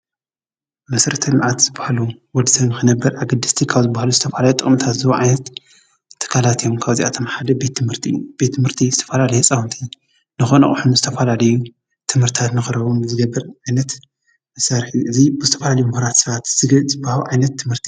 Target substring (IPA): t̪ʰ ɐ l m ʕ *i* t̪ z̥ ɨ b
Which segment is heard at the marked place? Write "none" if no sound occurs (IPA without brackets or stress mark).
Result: a